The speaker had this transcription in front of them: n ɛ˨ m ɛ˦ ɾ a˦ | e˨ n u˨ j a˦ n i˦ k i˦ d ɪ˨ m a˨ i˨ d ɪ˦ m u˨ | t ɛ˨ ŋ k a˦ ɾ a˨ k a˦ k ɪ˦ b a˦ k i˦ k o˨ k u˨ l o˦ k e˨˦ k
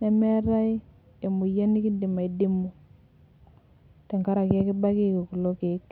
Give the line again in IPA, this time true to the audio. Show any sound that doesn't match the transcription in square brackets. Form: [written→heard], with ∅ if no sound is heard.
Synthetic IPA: n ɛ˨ m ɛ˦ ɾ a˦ | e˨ [n→m] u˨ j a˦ n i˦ k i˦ d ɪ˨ m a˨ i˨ d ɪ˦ m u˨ | t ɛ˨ ŋ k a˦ ɾ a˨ k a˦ k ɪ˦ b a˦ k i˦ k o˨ k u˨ l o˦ k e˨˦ k